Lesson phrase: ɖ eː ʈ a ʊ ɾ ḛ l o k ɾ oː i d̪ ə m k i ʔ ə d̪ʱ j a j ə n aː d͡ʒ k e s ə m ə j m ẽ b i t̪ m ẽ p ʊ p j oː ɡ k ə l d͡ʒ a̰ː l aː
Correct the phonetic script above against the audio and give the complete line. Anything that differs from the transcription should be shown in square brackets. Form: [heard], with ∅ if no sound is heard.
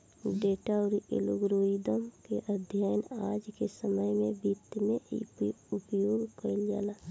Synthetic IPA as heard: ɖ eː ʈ a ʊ ɾ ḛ l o [ɡ] ɾ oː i d̪ ə m k [e] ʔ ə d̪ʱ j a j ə n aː d͡ʒ k e s ə m ə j m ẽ b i t̪ m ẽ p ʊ p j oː ɡ k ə l d͡ʒ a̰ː l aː